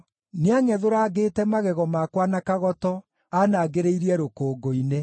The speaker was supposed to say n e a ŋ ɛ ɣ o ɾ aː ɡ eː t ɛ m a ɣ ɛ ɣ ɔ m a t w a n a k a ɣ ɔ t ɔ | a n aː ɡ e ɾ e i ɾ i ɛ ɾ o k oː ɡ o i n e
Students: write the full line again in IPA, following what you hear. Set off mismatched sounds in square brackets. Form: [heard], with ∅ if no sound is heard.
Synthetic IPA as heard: n e a ŋ ɛ [ð] o ɾ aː ɡ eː t ɛ m a ɣ ɛ ɣ ɔ m a [k] w a n a k a ɣ ɔ t ɔ | a n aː ɡ e ɾ e i ɾ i ɛ ɾ o k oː ɡ o i n e